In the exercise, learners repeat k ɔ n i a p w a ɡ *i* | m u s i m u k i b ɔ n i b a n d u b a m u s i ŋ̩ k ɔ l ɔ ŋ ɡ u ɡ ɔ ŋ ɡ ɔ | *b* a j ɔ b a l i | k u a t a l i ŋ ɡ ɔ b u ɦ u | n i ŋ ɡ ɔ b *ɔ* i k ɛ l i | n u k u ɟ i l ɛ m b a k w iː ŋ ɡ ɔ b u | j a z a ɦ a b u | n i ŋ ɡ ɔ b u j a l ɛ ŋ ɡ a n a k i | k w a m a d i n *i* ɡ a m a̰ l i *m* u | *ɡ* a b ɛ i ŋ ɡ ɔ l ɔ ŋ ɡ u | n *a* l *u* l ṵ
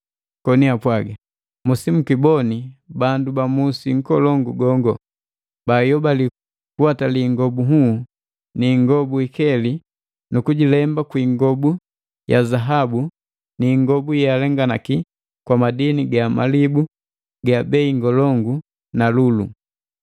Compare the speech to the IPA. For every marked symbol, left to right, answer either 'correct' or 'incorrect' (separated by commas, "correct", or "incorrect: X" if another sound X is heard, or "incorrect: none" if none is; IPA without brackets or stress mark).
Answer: incorrect: a, correct, incorrect: u, correct, incorrect: b, correct, correct, correct